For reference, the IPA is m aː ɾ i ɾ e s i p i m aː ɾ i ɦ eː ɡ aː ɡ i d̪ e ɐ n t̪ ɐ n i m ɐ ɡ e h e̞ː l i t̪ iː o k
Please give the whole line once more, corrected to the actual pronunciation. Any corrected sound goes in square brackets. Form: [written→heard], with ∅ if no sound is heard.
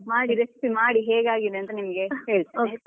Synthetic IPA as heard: m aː [ɾ→ɽ] i ɾ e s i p i m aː [ɾ→ɽ] i ɦ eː ɡ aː ɡ i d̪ e ɐ n t̪ ɐ n i m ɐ ɡ e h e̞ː [l→ɭ] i t̪ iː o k

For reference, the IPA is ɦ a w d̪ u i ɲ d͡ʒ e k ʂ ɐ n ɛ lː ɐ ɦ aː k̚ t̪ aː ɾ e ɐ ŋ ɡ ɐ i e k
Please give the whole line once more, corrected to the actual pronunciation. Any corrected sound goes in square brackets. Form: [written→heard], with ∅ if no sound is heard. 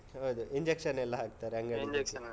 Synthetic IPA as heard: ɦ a w d̪ u i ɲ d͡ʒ e k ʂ ɐ n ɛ lː ɐ ɦ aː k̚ t̪ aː ɾ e ɐ ŋ ɡ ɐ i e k

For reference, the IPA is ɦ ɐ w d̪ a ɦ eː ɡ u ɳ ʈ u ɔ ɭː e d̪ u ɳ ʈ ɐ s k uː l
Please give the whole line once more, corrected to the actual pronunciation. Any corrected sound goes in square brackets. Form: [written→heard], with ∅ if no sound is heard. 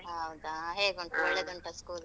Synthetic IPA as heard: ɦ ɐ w d̪ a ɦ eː ɡ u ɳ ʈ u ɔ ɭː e d̪ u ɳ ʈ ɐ s k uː l

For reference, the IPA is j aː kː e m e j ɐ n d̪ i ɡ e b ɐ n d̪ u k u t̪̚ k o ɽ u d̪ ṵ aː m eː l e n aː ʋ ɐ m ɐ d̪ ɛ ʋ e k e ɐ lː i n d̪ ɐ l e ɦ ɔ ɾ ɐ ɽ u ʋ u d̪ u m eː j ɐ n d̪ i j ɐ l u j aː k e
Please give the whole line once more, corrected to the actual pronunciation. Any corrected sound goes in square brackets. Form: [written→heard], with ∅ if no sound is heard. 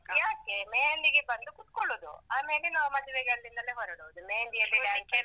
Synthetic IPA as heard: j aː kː e m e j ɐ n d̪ i ɡ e b ɐ n d̪ u k u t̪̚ k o [ɽ→ɭ] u d̪ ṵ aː m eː l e n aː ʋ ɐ m ɐ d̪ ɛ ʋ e [k→ɡ] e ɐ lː i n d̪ ɐ l e ɦ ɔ ɾ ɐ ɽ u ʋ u d̪ u m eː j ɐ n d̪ i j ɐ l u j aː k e

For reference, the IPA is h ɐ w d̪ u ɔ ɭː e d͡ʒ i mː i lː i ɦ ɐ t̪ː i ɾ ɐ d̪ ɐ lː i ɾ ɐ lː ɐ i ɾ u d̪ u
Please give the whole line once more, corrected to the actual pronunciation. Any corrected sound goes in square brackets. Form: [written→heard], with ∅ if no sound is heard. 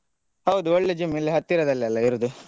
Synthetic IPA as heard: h ɐ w d̪ u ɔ ɭː e d͡ʒ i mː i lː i ɦ ɐ t̪ː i ɾ ɐ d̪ ɐ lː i [ɾ→∅] ɐ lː ɐ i ɾ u d̪ u

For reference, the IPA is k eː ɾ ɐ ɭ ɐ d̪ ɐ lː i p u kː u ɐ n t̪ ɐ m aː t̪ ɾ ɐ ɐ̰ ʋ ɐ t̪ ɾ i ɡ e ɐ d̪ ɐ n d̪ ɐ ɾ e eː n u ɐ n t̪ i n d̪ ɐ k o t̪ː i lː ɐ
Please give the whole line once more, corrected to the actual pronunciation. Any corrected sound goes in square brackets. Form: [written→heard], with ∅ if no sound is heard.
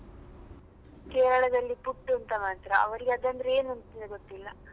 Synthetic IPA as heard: k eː ɾ ɐ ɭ ɐ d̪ ɐ lː i p u [kː→ʈː] u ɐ n t̪ ɐ m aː t̪ ɾ ɐ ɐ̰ ʋ ɐ [t̪→∅] ɾ i ɡ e ɐ d̪ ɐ n d̪ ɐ ɾ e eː n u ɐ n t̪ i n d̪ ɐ [k→ɡ] o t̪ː i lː ɐ

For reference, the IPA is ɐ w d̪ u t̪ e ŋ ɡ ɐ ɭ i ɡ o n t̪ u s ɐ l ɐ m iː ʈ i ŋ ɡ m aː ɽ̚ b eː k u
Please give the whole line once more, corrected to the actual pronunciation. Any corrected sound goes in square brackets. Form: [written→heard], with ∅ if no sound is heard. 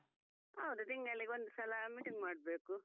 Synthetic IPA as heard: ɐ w d̪ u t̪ [e→i] ŋ ɡ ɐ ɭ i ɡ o n [t̪→d̪] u s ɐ l ɐ m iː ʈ i ŋ ɡ m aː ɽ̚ b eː k u

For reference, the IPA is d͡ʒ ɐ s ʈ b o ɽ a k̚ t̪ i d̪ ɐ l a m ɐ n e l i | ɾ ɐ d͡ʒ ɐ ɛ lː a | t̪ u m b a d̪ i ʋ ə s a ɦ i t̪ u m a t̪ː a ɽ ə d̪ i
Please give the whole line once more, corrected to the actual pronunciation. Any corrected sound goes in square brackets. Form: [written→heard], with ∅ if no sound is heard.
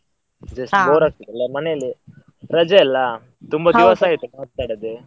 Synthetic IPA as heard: d͡ʒ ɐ s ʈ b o [ɽ→ɾ] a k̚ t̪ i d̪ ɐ l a m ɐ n e l i | ɾ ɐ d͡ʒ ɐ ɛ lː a | t̪ u m b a d̪ i ʋ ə s a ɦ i t̪ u m a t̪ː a ɽ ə d̪ [i→e]

